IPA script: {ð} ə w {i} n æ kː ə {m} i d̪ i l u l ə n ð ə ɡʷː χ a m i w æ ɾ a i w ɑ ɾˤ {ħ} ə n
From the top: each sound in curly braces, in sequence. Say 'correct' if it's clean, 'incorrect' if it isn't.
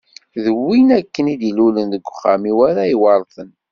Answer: correct, correct, incorrect: n, incorrect: θ

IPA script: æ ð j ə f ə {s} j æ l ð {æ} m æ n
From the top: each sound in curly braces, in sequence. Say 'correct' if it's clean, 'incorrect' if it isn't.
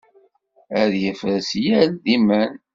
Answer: correct, incorrect: i

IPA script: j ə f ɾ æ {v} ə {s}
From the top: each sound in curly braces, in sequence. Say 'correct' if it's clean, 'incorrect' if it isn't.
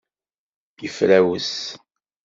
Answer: incorrect: w, correct

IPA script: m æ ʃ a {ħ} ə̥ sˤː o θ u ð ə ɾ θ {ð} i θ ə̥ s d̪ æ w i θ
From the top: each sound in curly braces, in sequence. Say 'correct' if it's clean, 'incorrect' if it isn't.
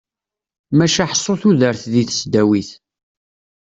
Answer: correct, correct

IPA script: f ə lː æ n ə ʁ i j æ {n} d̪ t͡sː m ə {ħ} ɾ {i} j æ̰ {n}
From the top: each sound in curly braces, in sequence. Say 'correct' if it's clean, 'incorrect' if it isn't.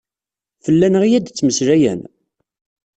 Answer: incorrect: none, incorrect: s, incorrect: æ, correct

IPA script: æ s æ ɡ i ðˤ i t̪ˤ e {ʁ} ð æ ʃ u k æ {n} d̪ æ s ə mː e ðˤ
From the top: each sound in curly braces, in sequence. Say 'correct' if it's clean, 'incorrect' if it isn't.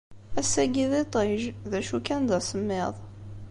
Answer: incorrect: ʒ, correct

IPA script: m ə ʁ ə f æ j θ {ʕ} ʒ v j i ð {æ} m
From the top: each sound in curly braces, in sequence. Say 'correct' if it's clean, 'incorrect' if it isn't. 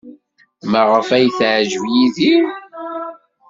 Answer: correct, incorrect: i

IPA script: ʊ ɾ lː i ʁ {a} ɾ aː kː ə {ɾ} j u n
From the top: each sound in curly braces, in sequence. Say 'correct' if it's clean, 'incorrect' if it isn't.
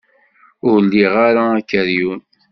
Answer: correct, correct

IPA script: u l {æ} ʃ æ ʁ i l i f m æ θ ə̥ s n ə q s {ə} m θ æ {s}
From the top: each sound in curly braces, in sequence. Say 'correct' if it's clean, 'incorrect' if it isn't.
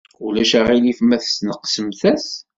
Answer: correct, correct, correct

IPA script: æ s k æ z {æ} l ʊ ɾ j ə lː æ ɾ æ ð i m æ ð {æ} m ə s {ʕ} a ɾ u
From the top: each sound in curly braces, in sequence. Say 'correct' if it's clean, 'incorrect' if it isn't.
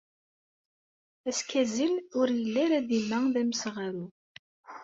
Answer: incorrect: i, correct, incorrect: ʁ

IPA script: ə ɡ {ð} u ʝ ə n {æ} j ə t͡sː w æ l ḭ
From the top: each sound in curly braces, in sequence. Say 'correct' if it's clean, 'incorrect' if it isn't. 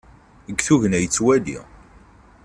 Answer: incorrect: θ, correct

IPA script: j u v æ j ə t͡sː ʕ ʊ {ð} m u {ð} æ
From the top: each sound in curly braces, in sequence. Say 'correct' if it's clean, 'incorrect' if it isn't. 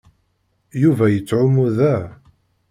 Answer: incorrect: none, correct

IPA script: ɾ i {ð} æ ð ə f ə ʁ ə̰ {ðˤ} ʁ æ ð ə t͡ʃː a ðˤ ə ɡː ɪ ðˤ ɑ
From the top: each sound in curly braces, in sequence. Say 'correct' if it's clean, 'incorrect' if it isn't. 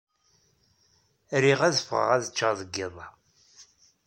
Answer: incorrect: ʁ, incorrect: none

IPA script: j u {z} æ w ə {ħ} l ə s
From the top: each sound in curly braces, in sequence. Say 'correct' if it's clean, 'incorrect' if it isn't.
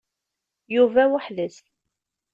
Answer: incorrect: v, correct

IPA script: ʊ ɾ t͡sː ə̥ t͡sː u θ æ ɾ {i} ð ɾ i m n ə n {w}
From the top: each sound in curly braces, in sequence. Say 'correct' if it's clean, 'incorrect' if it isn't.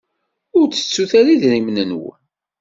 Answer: correct, correct

